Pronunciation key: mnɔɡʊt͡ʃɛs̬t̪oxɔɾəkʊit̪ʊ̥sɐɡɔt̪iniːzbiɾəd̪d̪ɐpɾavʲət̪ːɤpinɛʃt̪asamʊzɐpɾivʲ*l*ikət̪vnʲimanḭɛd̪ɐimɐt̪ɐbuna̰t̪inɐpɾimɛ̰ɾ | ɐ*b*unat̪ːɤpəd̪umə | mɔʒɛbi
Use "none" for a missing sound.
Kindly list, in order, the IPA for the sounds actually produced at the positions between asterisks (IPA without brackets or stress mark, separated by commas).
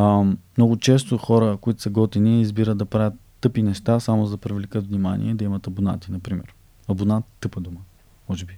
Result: l, b